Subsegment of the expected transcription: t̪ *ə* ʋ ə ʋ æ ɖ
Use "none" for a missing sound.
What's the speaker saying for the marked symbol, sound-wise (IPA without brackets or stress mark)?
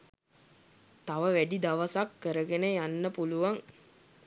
a